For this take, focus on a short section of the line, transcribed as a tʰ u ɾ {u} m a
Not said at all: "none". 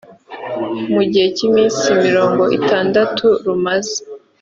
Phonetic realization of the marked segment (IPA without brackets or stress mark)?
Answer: u